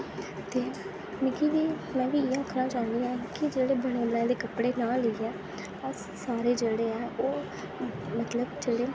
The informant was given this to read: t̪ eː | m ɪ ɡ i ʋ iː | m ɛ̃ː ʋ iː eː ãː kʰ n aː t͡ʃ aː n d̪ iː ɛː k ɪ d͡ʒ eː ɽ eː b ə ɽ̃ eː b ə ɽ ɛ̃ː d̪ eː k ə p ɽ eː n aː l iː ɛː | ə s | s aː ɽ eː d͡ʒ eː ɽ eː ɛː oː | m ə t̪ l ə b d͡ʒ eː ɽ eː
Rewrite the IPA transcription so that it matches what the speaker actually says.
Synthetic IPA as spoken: t̪ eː | m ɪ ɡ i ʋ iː | m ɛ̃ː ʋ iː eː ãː kʰ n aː t͡ʃ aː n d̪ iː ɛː k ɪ d͡ʒ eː ɽ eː b ə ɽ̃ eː b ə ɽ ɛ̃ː d̪ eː k ə p ɽ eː n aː l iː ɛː | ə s | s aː ɾ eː d͡ʒ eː ɽ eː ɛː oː | m ə t̪ l ə b d͡ʒ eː ɽ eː

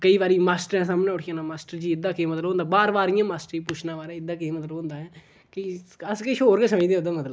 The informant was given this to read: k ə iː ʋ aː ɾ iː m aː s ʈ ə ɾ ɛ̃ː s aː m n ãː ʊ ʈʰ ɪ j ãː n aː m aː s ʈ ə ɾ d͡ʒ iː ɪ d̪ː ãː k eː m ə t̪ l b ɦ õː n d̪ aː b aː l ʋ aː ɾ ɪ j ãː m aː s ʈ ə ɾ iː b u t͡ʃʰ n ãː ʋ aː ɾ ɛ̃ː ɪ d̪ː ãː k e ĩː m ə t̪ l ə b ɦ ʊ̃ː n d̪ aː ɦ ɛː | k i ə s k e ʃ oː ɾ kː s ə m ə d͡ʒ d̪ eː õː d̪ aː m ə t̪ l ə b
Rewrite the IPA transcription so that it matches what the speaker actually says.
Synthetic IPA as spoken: k ə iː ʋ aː ɾ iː m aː s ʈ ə ɾ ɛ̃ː s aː m n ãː ʊ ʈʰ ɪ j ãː n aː m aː s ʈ ə ɾ d͡ʒ iː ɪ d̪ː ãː k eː m ə t̪ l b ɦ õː n d̪ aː b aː ɾ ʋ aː ɾ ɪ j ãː m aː s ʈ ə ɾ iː p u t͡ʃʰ n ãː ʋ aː ɾ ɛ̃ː ɪ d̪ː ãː k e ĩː m ə t̪ l ə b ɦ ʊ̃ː n d̪ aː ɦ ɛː | k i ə s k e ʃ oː ɾ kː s ə m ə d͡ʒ d̪ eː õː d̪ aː m ə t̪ l ə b

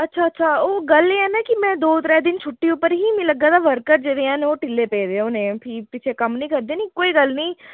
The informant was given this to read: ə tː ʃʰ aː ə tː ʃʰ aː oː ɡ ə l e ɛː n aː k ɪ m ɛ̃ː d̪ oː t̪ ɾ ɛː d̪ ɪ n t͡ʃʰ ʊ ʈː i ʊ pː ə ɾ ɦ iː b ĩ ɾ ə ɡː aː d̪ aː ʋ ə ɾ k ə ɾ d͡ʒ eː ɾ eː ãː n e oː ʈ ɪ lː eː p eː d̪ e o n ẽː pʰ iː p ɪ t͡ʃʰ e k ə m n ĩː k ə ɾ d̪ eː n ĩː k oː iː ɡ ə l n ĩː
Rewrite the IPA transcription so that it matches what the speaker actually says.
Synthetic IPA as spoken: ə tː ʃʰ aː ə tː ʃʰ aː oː ɡ ə l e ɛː n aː k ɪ m ɛ̃ː d̪ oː t̪ ɾ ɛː d̪ ɪ n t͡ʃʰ ʊ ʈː i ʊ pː ə ɾ ɦ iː m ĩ l ə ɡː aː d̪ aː ʋ ə ɾ k ə ɾ d͡ʒ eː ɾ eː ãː n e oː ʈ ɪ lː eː p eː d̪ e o n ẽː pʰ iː p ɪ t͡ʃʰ e k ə m n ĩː k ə ɾ d̪ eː n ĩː k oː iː ɡ ə l n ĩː

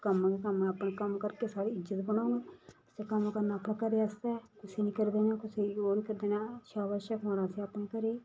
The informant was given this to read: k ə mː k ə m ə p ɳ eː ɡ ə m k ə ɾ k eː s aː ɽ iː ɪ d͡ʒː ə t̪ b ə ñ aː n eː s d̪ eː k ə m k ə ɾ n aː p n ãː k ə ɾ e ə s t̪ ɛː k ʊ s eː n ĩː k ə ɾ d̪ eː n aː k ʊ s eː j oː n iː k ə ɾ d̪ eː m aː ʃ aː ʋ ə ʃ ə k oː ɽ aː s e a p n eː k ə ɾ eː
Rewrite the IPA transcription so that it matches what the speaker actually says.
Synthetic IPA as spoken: k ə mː k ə m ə p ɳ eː k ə m k ə ɾ k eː s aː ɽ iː ɪ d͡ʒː ə t̪ b ə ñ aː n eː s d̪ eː k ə m k ə ɾ n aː p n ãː k ə ɾ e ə s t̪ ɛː k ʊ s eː n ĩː k ə ɾ d̪ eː n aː k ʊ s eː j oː n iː k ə ɾ d̪ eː n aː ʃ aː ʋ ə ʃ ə k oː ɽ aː s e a p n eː k ə ɾ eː

